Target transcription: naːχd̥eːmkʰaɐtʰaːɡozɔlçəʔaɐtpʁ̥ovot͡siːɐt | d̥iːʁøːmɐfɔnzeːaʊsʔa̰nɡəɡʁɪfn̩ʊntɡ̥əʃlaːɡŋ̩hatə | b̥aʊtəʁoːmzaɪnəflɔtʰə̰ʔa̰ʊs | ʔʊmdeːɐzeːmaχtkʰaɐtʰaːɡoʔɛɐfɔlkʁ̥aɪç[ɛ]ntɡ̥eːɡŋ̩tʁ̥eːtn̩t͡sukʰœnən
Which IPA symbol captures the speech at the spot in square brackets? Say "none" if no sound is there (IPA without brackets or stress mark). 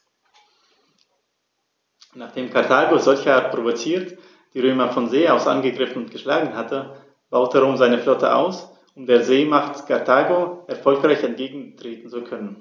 ɛ